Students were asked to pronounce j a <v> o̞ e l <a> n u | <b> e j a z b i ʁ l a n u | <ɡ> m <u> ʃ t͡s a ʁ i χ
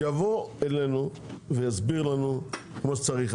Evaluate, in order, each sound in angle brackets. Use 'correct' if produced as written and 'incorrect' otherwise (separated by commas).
correct, incorrect, incorrect, incorrect, incorrect